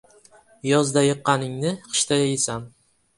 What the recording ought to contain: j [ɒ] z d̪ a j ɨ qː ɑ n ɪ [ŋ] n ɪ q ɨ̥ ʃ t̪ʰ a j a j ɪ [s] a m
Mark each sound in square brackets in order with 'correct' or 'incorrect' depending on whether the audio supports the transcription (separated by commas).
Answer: correct, correct, correct